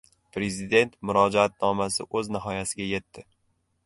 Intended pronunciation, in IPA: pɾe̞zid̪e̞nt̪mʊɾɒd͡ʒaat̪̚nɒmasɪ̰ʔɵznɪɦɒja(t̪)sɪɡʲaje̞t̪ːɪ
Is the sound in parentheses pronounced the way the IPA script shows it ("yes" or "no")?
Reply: no